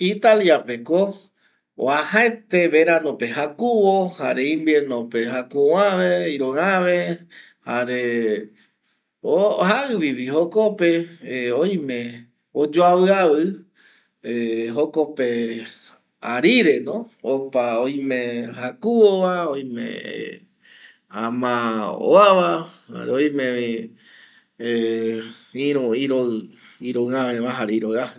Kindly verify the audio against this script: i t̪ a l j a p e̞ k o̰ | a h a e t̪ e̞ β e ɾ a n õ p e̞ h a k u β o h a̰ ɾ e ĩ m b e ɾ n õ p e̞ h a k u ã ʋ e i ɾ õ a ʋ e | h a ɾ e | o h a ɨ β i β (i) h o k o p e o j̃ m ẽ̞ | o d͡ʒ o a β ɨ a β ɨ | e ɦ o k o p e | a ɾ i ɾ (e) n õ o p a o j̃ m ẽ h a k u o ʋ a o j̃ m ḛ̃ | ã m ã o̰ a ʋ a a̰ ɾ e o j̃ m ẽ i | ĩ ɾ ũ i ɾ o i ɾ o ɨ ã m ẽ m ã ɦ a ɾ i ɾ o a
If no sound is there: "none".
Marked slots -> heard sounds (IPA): i, e

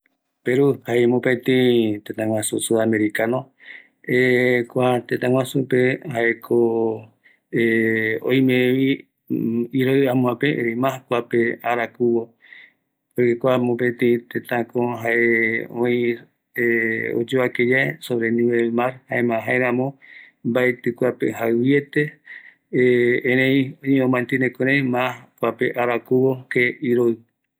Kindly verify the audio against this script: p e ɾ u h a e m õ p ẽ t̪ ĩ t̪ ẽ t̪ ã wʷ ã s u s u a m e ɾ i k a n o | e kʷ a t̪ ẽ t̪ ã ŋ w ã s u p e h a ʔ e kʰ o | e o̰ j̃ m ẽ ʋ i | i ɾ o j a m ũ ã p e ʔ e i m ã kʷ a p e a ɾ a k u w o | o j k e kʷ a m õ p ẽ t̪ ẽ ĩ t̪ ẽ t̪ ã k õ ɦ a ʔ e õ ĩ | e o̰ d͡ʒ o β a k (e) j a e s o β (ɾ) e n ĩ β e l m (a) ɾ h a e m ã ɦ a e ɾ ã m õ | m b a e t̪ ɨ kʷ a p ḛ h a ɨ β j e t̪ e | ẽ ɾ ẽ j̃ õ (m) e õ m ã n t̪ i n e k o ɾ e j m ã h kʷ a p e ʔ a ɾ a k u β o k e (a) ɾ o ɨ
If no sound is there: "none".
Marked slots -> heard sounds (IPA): e, ɾ, a, ɲ, i

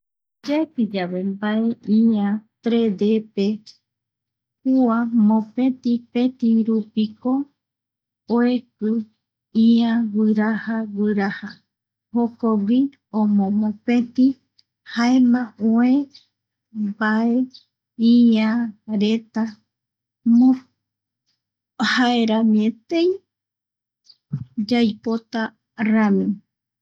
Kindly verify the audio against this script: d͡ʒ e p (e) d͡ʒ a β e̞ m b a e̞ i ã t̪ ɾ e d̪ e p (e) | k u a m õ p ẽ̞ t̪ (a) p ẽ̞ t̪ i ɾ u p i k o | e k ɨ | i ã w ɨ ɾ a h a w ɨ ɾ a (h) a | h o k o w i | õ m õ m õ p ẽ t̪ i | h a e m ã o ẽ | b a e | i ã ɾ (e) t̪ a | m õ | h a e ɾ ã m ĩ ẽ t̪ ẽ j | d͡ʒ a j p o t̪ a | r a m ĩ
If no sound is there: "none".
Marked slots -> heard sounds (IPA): i, e, i, h, e

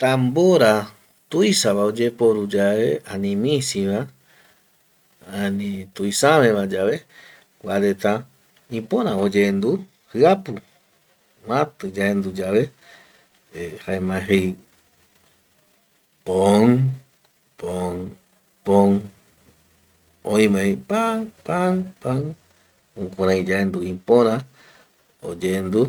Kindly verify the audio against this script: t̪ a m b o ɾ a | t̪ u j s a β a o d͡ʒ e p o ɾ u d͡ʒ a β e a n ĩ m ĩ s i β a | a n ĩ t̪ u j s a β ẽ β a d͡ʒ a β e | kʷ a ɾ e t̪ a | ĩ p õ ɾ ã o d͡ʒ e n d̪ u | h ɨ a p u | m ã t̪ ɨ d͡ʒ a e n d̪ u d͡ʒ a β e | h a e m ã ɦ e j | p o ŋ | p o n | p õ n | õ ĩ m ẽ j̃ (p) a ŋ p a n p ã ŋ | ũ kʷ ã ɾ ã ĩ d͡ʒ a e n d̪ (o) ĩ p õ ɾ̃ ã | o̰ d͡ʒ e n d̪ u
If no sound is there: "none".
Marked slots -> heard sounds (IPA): p, u

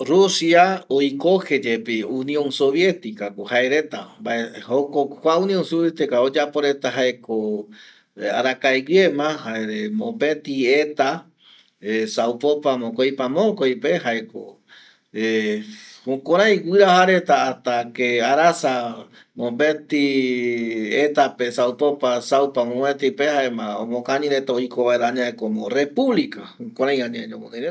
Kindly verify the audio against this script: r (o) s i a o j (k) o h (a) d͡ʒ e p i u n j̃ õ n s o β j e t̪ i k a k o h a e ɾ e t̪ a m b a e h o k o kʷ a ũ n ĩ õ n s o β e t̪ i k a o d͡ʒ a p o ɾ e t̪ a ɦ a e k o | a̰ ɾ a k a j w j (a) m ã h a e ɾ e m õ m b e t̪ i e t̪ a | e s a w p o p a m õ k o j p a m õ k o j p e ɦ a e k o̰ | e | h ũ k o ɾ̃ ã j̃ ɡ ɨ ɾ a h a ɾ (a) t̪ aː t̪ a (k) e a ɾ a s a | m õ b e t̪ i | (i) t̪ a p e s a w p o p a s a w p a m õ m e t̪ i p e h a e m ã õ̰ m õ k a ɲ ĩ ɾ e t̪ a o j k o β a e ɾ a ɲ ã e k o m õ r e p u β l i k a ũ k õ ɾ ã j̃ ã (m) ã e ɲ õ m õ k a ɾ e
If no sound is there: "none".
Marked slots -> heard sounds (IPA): u, k, e, e, e, k, e, ɲ

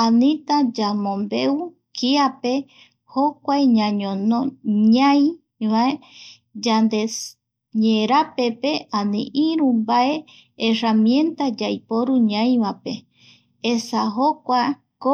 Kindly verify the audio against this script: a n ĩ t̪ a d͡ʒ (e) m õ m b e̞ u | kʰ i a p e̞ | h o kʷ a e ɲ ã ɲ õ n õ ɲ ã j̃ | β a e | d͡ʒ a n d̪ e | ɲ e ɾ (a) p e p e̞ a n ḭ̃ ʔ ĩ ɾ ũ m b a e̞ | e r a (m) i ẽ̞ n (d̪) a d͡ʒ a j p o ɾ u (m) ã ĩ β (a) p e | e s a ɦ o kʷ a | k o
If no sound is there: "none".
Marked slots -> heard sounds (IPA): a, a, m, t̪, ɲ, a

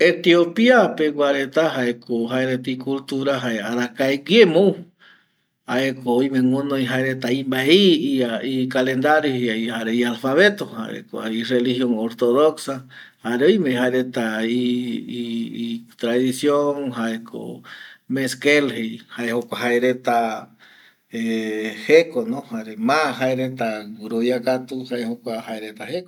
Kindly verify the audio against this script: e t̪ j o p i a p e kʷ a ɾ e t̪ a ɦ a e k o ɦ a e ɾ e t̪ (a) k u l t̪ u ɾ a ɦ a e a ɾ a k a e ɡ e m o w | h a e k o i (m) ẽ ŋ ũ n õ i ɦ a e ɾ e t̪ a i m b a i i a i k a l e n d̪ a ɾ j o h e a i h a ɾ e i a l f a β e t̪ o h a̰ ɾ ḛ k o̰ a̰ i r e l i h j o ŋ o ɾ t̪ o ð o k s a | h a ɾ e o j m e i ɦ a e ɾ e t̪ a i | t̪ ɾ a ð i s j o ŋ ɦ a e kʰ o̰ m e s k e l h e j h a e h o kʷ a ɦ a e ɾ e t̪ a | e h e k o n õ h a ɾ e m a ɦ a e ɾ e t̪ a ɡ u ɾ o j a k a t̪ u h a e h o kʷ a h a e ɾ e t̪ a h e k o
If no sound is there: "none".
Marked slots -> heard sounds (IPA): i, m

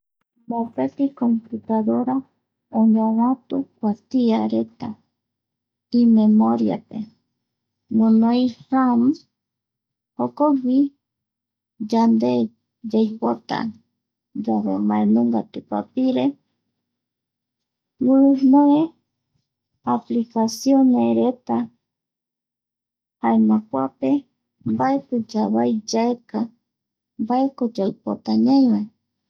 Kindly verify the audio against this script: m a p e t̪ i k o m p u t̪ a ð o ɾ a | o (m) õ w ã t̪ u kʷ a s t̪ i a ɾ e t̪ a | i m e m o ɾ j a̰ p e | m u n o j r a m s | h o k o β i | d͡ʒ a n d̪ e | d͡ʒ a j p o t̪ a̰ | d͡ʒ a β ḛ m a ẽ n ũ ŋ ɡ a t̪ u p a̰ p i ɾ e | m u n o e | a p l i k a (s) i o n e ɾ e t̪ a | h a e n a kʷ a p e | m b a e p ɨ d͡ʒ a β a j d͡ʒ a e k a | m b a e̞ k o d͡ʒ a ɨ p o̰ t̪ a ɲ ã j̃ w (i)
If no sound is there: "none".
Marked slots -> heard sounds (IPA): ɲ, s, a

